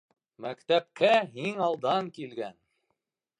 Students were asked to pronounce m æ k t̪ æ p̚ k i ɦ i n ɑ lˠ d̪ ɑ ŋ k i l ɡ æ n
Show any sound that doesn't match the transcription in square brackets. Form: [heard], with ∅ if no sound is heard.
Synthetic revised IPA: m æ k t̪ æ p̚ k [æ] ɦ i [ŋ] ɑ lˠ d̪ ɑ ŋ k i l ɡ æ n